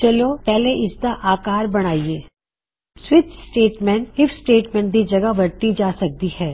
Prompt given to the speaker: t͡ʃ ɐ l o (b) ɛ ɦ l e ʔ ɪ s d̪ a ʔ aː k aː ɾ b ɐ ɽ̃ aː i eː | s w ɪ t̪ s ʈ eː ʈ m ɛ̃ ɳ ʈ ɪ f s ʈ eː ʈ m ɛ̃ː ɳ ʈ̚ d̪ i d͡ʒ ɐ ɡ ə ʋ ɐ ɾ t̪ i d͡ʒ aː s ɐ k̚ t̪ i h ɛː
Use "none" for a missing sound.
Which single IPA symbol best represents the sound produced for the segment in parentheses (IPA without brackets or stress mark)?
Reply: p